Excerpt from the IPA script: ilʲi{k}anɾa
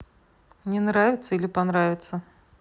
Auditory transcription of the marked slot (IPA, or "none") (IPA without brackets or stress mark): p